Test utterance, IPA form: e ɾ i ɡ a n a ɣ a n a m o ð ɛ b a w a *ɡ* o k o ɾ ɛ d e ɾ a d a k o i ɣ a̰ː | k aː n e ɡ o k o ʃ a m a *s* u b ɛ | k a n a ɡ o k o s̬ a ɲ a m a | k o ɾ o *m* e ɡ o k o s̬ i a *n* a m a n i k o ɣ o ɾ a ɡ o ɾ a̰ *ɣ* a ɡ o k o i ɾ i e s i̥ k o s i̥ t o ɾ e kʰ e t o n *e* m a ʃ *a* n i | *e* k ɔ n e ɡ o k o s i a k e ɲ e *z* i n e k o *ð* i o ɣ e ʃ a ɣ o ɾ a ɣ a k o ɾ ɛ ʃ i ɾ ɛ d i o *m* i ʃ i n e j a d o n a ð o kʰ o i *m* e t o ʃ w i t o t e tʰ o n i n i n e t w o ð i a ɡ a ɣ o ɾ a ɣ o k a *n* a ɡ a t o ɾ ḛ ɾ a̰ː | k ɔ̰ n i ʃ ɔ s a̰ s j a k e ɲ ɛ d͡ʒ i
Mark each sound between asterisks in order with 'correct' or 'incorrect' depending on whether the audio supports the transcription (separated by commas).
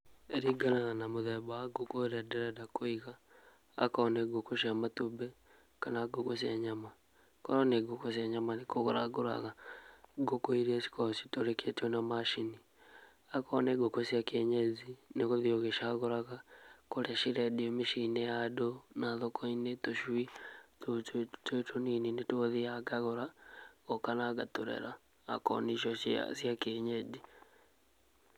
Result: correct, incorrect, incorrect, incorrect, correct, incorrect, incorrect, incorrect, correct, correct, correct, incorrect, correct